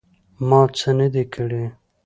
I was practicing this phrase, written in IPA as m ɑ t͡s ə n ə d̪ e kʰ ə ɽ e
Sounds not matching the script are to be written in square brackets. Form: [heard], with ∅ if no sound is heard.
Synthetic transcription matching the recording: m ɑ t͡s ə n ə d̪ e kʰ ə ɽ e